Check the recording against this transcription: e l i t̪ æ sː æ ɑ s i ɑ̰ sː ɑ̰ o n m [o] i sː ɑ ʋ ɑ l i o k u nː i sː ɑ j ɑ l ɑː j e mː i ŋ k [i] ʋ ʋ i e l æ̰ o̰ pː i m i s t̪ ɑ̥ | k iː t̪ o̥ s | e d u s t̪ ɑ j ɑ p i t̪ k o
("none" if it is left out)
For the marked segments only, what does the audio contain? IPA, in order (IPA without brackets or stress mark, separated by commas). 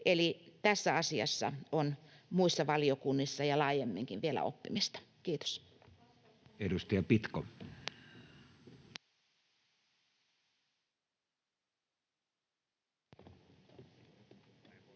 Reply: u, i